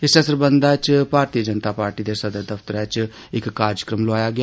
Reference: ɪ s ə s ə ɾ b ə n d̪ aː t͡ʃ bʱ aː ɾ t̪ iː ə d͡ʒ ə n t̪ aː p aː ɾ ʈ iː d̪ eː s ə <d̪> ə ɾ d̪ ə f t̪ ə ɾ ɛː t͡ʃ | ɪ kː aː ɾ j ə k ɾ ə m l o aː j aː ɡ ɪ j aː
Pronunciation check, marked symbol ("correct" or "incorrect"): correct